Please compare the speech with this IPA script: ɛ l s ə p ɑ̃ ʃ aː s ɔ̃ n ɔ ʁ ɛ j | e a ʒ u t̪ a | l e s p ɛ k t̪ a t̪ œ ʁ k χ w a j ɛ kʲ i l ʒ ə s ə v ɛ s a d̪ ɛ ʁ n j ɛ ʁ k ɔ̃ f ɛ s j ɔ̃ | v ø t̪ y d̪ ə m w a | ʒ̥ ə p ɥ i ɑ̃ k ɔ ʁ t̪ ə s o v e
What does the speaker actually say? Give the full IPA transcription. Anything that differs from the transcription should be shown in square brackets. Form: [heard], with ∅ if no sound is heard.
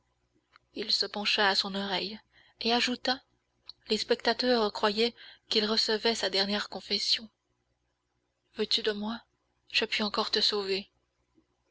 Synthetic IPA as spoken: [i] l s ə p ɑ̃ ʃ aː s ɔ̃ n ɔ ʁ ɛ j | e a ʒ u t̪ a | l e s p ɛ k t̪ a t̪ œ ʁ k χ w a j ɛ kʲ i l [ʁ] ə s ə v ɛ s a d̪ ɛ ʁ n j ɛ ʁ k ɔ̃ f ɛ s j ɔ̃ | v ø t̪ y d̪ ə m w a | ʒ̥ ə p ɥ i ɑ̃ k ɔ ʁ t̪ ə s o v e

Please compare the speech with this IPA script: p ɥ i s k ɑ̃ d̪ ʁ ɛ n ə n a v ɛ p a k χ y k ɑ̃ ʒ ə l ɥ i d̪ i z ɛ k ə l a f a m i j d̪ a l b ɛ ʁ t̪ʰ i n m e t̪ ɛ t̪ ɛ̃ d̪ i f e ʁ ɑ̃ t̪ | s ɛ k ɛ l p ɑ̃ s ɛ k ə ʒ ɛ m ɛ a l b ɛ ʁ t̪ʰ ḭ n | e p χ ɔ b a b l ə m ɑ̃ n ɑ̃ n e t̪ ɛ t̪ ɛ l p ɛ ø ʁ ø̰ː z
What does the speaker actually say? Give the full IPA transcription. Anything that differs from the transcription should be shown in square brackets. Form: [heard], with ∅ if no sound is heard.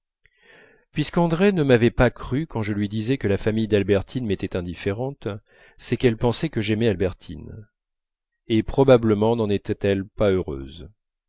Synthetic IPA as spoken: p ɥ i s k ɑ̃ d̪ ʁ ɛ n ə [m] a v ɛ p a k χ y k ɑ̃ ʒ ə l ɥ i d̪ i z ɛ k ə l a f a m i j d̪ a l b ɛ ʁ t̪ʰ i n m e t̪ ɛ t̪ ɛ̃ d̪ i f e ʁ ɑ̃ t̪ | s ɛ k ɛ l p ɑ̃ s ɛ k ə ʒ ɛ m ɛ a l b ɛ ʁ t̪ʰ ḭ n | e p χ ɔ b a b l ə m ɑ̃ n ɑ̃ n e t̪ ɛ t̪ ɛ l p [a] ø ʁ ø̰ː z

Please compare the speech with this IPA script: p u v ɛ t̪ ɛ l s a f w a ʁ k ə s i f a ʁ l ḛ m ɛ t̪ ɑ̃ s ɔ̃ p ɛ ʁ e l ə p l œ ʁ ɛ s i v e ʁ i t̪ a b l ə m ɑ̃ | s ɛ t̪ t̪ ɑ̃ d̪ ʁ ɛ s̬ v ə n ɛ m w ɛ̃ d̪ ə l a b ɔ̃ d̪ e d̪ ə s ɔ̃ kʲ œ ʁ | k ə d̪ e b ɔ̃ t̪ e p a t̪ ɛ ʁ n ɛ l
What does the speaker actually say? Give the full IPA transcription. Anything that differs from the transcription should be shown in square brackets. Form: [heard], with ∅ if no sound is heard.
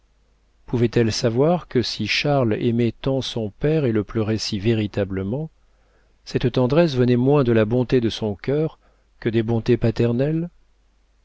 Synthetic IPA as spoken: p u v ɛ t̪ ɛ l s a [v] w a ʁ k ə s i [ʃ] a ʁ l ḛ m ɛ t̪ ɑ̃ s ɔ̃ p ɛ ʁ e l ə p l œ ʁ ɛ s i v e ʁ i t̪ a b l ə m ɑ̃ | s ɛ t̪ t̪ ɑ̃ d̪ ʁ ɛ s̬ v ə n ɛ m w ɛ̃ d̪ ə l a b ɔ̃ [t̪] e d̪ ə s ɔ̃ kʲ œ ʁ | k ə d̪ e b ɔ̃ t̪ e p a t̪ ɛ ʁ n ɛ l

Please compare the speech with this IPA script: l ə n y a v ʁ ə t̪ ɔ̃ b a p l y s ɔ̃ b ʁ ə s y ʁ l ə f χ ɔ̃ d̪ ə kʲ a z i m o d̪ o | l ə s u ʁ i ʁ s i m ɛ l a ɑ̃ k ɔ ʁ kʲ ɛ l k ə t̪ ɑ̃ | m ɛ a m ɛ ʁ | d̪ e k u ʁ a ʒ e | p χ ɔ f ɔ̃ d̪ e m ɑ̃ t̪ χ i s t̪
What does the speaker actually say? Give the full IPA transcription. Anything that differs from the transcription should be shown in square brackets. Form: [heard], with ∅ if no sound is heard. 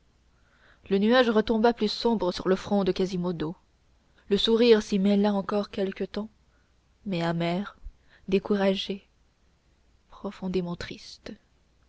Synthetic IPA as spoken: l ə n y a [ʒ] ʁ ə t̪ ɔ̃ b a p l y s ɔ̃ b ʁ ə s y ʁ l ə f χ ɔ̃ d̪ ə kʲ a z i m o d̪ o | l ə s u ʁ i ʁ s i m ɛ l a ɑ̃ k ɔ ʁ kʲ ɛ l k ə t̪ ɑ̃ | m ɛ a m ɛ ʁ | d̪ e k u ʁ a ʒ e | p χ ɔ f ɔ̃ d̪ e m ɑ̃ t̪ χ i s t̪

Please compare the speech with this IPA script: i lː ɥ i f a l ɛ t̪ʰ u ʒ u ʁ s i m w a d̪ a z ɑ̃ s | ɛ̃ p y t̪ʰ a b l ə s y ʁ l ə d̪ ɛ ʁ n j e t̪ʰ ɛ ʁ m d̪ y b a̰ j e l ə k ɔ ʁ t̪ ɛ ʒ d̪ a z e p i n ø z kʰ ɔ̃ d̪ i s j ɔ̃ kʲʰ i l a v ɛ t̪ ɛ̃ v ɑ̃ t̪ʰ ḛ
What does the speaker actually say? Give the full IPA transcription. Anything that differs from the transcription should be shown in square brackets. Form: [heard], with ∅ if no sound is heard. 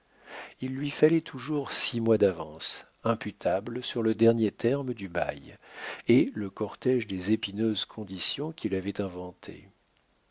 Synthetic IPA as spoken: i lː ɥ i f a l ɛ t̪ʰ u ʒ u ʁ s i m w a d̪ a [v] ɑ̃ s | ɛ̃ p y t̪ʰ a b l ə s y ʁ l ə d̪ ɛ ʁ n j e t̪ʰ ɛ ʁ m d̪ y b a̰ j e l ə k ɔ ʁ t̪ ɛ ʒ d̪ [e] z e p i n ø z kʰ ɔ̃ d̪ i s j ɔ̃ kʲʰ i l a v ɛ t̪ ɛ̃ v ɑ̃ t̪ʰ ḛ

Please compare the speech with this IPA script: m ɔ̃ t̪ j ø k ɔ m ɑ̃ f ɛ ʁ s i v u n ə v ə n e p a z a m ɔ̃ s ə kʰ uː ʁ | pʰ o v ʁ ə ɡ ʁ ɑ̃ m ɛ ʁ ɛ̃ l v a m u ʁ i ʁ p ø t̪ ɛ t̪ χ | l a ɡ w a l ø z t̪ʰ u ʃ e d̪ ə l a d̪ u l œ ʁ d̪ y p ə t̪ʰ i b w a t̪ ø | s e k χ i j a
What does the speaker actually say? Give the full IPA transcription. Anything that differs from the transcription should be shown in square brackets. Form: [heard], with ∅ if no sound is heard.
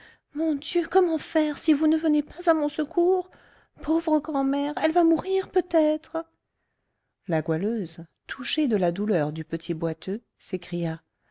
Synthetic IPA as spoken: m ɔ̃ [d̪] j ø k ɔ m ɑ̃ f ɛ ʁ s i v u n ə v ə n e p a z a m ɔ̃ s ə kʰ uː ʁ | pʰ o v ʁ ə ɡ ʁ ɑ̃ m ɛ ʁ [ɛ] l v a m u ʁ i ʁ p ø t̪ ɛ t̪ χ | l a ɡ w a l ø z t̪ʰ u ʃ e d̪ ə l a d̪ u l œ ʁ d̪ y p ə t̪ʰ i b w a t̪ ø | s e k χ i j a

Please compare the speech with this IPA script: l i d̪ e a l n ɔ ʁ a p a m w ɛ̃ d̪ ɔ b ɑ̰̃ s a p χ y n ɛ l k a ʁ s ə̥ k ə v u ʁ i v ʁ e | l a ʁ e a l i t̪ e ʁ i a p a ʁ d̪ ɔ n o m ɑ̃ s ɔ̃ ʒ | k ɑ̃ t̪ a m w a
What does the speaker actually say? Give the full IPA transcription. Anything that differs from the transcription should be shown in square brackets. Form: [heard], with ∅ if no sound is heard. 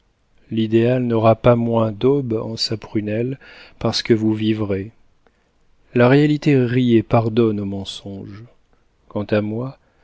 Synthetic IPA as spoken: l i d̪ e a l n ɔ ʁ a p a m w ɛ̃ d̪ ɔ b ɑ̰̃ s a p χ y n ɛ l [p] a ʁ s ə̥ k ə v u [v] i v ʁ e | l a ʁ e a l i t̪ e ʁ i [e] p a ʁ d̪ ɔ n o m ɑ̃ s ɔ̃ ʒ | k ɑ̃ t̪ a m w a

